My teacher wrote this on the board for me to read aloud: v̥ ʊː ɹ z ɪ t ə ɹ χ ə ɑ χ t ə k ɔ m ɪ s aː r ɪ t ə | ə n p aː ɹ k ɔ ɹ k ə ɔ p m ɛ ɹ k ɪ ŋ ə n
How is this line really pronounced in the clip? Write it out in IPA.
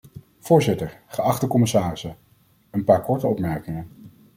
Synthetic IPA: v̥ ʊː ɹ z ɪ t ə ɹ χ ə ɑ χ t ə k ɔ m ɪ s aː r ɪ s ə | ə n p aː ɹ k ɔ ɹ t ə ɔ p m ɛ ɹ k ɪ ŋ ə n